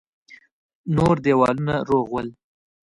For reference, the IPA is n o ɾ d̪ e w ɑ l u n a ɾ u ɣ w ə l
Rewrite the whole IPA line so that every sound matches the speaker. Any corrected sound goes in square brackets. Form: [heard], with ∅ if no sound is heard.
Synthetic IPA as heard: n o ɾ d̪ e w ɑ l u n a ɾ [o] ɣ w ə l